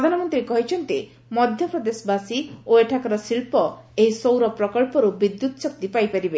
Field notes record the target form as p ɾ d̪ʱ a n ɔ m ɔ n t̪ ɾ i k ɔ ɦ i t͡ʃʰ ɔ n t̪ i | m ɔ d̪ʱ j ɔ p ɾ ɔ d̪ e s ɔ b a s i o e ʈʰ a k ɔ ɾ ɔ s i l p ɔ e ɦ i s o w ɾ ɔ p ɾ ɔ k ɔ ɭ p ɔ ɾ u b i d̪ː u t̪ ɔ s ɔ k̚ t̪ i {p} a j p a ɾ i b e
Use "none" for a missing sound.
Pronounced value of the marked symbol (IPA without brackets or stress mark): p